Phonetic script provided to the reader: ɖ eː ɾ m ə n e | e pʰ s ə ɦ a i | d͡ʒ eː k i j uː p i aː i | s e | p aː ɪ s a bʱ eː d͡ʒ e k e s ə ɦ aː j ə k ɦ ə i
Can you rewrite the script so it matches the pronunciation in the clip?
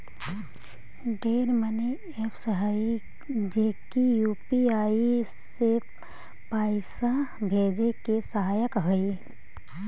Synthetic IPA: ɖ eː ɾ m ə n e | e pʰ s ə ɦ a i | d͡ʒ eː k i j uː p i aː i | s e | p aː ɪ s a bʱ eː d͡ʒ e k e s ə ɦ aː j ə k ɦ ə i

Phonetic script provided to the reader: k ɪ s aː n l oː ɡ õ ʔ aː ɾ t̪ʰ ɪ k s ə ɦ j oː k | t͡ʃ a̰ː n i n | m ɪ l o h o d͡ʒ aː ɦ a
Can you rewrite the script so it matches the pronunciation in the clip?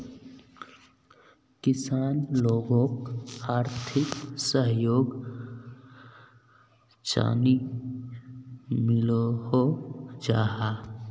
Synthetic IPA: k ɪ s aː n l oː ɡ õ k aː ɾ t̪ʰ ɪ k s ə ɦ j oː ɡ | t͡ʃ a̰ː n i | m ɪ l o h o d͡ʒ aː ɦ a

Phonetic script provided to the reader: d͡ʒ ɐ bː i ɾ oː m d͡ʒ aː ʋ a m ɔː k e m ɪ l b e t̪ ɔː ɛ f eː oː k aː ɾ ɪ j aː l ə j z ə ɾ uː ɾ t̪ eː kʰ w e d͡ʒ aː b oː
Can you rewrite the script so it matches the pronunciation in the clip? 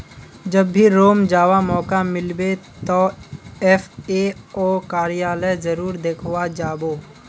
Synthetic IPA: d͡ʒ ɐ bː i ɾ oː m d͡ʒ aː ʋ a m ɔː k a m ɪ l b e t̪ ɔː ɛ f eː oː k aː ɾ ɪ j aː l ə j z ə ɾ uː ɾ d̪ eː kʰ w a d͡ʒ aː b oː

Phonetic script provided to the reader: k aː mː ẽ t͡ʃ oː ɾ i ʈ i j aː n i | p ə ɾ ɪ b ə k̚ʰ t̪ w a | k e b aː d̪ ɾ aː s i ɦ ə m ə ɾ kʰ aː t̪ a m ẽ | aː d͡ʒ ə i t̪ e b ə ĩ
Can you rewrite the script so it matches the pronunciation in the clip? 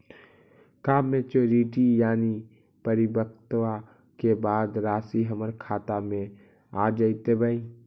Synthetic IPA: k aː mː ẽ t͡ʃ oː ɾ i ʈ i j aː n i | p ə ɾ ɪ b ə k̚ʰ t̪ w a | k e b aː d̪ ɾ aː s i ɦ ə m ə ɾ kʰ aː t̪ a m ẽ | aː d͡ʒ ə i t̪ e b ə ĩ

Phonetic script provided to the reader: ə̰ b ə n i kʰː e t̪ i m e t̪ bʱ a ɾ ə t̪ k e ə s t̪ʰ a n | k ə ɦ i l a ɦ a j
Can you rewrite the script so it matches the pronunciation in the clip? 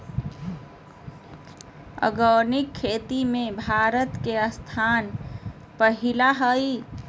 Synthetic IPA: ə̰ ɡ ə n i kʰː e t̪ i m e bʱ a ɾ ə t̪ k e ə s t̪ʰ a n | p ə ɦ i l a ɦ ə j

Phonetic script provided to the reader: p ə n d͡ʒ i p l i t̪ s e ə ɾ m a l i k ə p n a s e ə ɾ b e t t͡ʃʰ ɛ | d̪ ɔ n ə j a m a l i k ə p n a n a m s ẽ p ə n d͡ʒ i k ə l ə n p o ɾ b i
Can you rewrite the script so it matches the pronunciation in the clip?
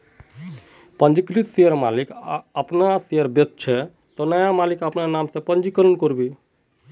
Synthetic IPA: p ə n d͡ʒ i k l i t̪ s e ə ɾ m a l i k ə p n a s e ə ɾ b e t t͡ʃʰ ɛ | t̪ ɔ n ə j a m a l i k ə p n a n a m s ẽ p ə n d͡ʒ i k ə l ə n k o ɾ b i

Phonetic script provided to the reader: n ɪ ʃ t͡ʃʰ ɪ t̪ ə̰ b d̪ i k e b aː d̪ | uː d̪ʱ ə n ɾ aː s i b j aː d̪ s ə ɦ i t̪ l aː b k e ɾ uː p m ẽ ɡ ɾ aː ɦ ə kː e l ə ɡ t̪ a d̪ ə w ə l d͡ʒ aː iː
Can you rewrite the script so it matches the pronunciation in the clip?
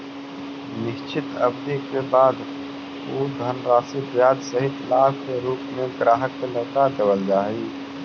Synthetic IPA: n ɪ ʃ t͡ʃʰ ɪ t̪ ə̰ b d̪ i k e b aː d̪ | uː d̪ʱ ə n ɾ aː s i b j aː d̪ s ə ɦ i t̪ l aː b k e ɾ uː p m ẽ ɡ ɾ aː ɦ ə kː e l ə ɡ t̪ a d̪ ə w ə l d͡ʒ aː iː

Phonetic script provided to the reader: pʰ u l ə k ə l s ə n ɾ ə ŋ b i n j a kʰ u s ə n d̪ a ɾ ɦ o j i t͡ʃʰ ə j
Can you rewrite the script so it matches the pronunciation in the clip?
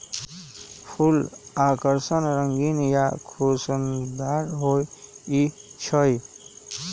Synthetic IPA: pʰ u l a k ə ɾ s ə n ɾ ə ŋ ɡ i n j a kʰ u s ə n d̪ a ɾ ɦ o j i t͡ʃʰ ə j

